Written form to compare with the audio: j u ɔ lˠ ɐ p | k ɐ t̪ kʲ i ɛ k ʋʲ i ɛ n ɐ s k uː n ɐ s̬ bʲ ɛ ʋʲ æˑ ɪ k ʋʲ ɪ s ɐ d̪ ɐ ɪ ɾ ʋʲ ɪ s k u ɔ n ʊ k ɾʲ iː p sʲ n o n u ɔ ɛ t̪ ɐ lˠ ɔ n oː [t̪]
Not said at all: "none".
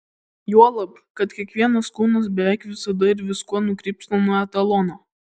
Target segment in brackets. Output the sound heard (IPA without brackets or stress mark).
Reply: none